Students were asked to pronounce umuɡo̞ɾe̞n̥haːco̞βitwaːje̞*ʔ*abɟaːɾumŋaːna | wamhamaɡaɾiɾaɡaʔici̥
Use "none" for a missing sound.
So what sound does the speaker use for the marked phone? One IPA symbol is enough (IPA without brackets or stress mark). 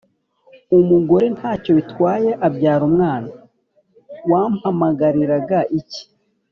ʔ